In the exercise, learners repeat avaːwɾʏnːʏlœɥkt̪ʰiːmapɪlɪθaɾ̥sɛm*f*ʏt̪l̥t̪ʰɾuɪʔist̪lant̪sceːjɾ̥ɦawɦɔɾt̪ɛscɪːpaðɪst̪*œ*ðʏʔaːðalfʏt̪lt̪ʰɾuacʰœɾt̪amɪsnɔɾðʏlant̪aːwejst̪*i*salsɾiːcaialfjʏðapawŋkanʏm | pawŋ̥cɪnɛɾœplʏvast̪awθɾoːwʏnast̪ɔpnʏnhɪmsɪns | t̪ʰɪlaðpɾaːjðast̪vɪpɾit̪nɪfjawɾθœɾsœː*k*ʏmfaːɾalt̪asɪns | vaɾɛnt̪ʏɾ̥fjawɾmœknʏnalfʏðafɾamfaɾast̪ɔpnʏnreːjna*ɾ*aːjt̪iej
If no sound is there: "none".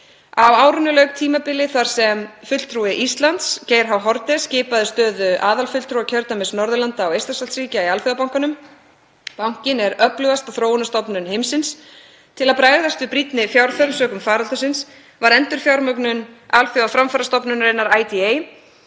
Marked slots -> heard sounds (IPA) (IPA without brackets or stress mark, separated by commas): f, œː, a, k, ɾ